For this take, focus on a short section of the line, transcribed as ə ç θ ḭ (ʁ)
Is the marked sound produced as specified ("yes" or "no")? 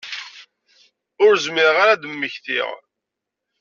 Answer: yes